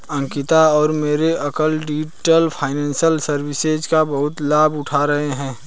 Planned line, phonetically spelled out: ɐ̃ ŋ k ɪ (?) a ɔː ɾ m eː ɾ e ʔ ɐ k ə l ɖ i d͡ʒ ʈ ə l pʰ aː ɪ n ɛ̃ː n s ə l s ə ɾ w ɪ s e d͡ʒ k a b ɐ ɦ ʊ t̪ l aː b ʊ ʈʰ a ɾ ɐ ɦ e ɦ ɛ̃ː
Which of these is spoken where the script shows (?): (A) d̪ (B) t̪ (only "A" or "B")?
B